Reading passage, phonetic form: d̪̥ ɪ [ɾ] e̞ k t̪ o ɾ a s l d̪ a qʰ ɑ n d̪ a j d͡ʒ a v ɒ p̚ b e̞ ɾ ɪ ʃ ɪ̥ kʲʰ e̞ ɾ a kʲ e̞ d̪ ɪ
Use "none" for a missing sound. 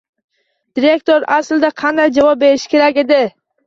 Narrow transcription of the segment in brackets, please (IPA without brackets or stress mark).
ɾ